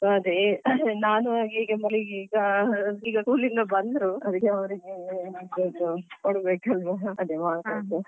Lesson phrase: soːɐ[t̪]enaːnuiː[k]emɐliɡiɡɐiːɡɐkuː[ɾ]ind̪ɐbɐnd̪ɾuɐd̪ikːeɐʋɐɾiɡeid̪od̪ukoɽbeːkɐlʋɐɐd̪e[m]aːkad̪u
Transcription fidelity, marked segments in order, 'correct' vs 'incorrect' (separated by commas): incorrect, incorrect, incorrect, correct